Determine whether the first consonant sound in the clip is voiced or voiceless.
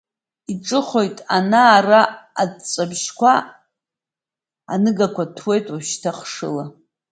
voiceless